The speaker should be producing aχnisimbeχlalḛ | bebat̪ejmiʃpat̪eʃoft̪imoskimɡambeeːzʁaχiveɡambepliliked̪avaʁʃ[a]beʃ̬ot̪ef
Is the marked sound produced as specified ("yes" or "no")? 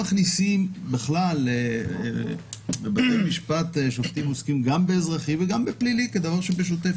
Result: no